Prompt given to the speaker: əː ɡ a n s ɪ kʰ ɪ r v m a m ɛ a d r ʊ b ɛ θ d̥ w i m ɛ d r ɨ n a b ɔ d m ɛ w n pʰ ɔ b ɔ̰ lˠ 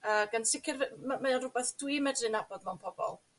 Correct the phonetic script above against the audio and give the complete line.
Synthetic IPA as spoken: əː ɡ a n s ɪ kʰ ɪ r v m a m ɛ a n r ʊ b ɛ θ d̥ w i m ɛ d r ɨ n a b ɔ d m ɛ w n pʰ ɔ b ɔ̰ lˠ